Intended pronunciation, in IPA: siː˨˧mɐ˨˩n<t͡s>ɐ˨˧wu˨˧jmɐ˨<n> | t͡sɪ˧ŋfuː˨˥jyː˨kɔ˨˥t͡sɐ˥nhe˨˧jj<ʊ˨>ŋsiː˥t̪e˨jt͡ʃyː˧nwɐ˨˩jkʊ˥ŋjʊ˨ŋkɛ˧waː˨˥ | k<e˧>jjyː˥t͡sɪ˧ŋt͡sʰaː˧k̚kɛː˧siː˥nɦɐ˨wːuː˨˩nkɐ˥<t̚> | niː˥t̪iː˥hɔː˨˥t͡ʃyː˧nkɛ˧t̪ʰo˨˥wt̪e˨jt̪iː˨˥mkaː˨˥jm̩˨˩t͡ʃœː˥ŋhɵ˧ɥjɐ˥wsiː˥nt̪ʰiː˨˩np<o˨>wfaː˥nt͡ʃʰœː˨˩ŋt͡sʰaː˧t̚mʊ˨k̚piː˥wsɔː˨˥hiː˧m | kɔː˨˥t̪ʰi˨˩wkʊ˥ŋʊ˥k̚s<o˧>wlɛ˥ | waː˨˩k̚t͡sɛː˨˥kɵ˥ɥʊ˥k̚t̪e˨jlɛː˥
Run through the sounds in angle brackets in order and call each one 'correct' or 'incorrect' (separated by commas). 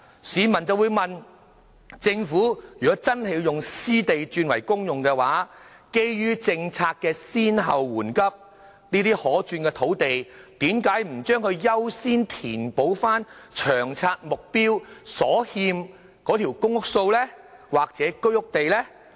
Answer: correct, correct, correct, incorrect, incorrect, incorrect, correct